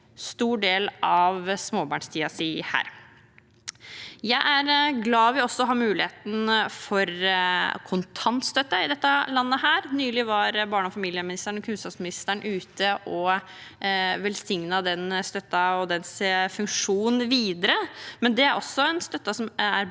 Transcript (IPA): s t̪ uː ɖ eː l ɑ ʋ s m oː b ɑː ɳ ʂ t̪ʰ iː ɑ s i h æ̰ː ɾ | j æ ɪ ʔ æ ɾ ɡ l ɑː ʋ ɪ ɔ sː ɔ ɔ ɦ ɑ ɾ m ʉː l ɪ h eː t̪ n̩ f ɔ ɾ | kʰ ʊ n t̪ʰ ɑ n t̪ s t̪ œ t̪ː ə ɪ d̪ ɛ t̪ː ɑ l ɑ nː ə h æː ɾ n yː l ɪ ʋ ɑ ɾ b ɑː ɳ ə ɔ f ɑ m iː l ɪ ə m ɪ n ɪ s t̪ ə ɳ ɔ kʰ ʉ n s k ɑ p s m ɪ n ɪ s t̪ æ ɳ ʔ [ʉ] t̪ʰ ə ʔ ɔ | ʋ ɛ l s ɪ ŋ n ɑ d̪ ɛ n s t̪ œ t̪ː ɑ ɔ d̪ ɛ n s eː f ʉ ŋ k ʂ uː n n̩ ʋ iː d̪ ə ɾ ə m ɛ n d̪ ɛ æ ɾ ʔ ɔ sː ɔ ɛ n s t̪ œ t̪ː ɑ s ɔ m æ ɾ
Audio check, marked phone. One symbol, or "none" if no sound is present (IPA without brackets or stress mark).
ʉː